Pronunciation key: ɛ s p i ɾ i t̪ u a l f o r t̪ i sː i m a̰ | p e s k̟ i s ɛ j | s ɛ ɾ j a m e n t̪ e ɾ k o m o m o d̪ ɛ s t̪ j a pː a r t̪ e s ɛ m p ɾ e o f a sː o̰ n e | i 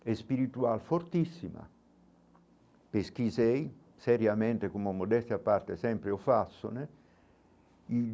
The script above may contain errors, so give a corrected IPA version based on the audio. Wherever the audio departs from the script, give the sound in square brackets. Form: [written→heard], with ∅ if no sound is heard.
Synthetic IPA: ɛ s p i ɾ i t̪ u a l f o r t̪ i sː i m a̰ | p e s k̟ i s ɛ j | s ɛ ɾ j a m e n t̪ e [ɾ→∅] k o m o m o d̪ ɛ s t̪ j a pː a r t̪ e s ɛ m p ɾ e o f a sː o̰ n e | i